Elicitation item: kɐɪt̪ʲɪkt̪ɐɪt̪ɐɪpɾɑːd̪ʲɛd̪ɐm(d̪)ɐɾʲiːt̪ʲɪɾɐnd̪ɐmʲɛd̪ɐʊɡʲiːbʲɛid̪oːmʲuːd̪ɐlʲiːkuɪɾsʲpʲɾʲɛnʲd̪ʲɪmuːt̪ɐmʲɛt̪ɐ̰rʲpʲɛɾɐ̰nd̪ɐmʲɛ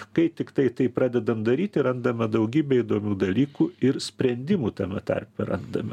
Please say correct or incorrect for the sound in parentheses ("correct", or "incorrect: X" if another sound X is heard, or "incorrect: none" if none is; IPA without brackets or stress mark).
correct